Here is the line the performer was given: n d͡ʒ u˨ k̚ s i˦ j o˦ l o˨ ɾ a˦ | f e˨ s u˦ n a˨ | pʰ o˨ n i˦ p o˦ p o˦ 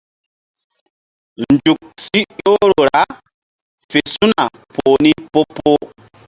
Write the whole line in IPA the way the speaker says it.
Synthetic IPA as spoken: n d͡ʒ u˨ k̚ s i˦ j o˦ ɾ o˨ ɾ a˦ | f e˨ s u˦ n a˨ | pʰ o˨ n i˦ p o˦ p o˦